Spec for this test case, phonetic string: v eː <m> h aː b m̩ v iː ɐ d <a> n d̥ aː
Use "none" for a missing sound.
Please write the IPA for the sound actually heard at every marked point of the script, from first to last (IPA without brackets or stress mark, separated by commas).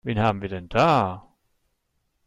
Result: n, ɛ